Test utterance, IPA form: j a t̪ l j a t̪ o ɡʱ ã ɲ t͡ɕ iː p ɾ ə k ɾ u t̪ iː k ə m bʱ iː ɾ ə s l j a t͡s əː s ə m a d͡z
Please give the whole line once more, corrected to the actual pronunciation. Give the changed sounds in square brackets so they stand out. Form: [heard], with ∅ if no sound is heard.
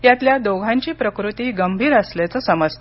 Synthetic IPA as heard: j a t̪ l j a [d̪] o ɡʱ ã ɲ t͡ɕ iː p ɾ ə k ɾ u t̪ iː [ɡ] ə m bʱ iː ɾ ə s l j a t͡s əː s ə m [ə] d͡z